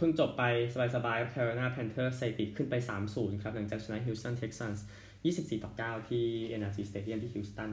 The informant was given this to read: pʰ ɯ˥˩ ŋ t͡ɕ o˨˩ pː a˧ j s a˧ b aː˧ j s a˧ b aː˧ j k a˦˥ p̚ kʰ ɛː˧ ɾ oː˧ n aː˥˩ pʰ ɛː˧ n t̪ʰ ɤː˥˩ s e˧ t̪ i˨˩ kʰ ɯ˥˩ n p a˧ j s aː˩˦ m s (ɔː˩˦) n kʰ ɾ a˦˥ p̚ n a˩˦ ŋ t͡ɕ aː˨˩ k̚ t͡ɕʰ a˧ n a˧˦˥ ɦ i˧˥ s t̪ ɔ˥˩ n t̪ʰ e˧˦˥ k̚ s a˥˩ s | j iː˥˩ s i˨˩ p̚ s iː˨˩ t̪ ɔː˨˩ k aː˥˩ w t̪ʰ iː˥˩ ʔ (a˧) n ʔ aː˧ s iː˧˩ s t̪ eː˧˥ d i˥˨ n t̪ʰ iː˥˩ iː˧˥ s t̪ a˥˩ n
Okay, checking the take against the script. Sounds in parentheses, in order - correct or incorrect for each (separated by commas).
incorrect, incorrect